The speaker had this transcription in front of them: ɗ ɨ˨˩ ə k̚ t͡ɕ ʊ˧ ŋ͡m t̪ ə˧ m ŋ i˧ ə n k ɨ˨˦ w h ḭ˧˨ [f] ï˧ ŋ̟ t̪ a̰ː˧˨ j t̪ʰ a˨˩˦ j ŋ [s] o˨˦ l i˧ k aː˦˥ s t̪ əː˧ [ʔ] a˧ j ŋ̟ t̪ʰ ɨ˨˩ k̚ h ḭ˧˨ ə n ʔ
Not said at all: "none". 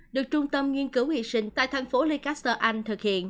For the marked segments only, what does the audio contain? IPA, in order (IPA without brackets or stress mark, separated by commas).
s, f, ʔ